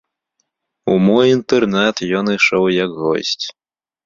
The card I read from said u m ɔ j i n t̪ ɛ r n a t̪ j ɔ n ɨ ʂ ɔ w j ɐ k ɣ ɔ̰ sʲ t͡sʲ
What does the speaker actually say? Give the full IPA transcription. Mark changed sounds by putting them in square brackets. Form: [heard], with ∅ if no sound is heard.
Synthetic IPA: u m ɔ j i n t̪ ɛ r n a t̪ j ɔ n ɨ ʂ ɔ w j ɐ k ɣ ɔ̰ sʲ t͡sʲ